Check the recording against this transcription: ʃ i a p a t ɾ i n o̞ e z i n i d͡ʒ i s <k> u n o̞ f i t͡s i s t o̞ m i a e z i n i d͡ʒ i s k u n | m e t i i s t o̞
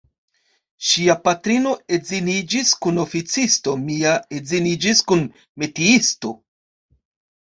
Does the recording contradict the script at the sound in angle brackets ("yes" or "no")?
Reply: no